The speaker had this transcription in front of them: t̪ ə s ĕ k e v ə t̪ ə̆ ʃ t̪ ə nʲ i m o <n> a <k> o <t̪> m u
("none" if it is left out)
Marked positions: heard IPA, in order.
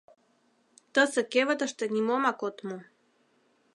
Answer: m, k, t̪

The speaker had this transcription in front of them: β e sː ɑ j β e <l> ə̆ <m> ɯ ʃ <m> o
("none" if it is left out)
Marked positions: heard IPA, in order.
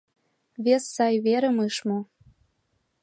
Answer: ɾ, m, m

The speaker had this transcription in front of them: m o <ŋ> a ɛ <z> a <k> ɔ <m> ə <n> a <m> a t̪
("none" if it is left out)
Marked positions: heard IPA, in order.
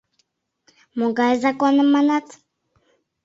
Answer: ɡ, z, k, n, m, n

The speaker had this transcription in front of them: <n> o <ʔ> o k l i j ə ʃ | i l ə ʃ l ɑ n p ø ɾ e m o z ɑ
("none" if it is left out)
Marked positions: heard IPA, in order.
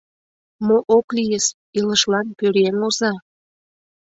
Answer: m, ʔ

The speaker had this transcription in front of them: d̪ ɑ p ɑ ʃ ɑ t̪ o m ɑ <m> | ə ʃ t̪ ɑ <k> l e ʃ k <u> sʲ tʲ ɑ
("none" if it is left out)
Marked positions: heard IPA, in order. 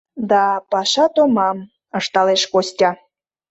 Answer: m, none, o

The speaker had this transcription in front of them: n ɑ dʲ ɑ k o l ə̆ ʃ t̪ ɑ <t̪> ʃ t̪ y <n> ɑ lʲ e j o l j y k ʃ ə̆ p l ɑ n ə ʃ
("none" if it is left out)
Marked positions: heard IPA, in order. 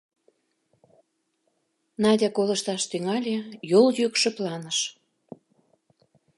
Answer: none, ŋ

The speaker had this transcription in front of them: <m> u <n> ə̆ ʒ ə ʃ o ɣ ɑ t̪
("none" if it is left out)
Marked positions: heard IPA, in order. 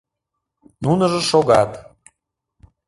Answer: n, n

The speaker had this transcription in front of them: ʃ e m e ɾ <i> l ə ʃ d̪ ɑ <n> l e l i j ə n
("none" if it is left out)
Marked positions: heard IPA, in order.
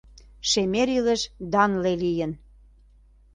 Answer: i, n

